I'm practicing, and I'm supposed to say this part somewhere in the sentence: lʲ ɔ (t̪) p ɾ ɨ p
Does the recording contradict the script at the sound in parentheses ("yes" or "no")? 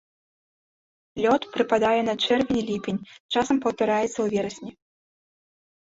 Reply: no